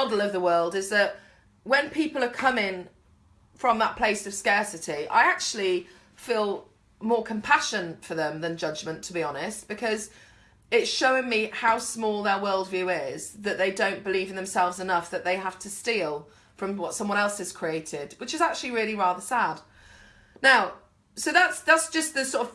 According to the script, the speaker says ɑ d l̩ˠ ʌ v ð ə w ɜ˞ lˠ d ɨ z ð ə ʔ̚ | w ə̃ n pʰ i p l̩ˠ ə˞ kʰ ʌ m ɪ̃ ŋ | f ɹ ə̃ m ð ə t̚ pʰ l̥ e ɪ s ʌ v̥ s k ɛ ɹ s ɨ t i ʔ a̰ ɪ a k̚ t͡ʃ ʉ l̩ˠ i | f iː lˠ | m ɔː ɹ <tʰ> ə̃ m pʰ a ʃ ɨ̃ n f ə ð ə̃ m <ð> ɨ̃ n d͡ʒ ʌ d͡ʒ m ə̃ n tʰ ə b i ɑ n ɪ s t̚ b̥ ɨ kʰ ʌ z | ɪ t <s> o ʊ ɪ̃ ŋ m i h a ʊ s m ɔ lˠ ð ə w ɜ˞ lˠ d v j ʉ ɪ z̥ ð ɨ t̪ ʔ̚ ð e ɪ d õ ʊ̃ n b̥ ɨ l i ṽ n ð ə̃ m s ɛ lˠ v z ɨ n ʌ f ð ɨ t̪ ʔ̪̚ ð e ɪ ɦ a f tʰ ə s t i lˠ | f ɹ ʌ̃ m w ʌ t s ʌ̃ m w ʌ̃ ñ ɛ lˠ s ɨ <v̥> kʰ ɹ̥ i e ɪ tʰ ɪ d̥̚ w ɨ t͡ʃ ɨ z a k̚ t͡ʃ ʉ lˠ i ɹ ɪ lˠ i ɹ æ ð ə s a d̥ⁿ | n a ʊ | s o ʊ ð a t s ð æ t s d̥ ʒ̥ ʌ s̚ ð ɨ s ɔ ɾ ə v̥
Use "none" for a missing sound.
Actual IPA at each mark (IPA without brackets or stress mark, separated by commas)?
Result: kʰ, ð, ʃ, z̥